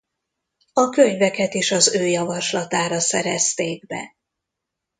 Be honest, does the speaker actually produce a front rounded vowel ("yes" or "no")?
yes